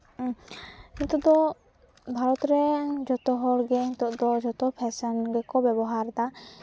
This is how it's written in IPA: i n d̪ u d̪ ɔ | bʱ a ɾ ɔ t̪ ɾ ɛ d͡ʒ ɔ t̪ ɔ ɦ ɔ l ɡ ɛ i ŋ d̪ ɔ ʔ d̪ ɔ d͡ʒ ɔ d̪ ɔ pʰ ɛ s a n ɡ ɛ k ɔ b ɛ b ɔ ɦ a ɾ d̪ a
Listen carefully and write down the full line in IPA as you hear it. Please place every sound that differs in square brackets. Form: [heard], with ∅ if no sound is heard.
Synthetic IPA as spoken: i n [t̪] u d̪ ɔ | bʱ a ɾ ɔ t̪ ɾ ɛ d͡ʒ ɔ t̪ ɔ ɦ ɔ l ɡ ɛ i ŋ [t̪] ɔ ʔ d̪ ɔ d͡ʒ ɔ [t̪] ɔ pʰ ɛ s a n ɡ ɛ k ɔ b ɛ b ɔ ɦ a ɾ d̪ a